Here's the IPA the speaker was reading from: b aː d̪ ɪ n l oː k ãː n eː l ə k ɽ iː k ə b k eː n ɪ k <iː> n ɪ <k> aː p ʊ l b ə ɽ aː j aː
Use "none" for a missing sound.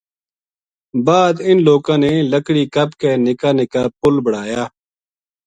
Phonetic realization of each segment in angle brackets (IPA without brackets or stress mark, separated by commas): aː, k